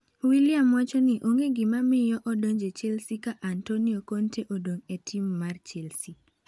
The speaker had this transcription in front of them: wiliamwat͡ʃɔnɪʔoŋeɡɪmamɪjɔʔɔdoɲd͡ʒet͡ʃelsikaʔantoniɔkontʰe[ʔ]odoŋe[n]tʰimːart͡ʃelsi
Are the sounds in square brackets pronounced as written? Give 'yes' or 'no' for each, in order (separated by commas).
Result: yes, no